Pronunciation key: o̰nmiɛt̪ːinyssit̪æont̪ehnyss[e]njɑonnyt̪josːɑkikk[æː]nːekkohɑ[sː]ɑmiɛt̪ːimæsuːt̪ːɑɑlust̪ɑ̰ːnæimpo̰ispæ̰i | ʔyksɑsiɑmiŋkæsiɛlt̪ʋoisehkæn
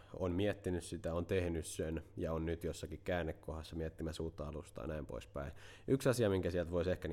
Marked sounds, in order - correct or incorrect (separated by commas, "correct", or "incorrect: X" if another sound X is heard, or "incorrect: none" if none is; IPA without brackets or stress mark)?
correct, correct, correct